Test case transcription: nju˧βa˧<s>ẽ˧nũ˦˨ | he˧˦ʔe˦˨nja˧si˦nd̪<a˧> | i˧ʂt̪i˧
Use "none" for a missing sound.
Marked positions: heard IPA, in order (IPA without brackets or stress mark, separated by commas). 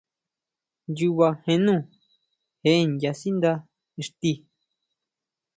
h, a˧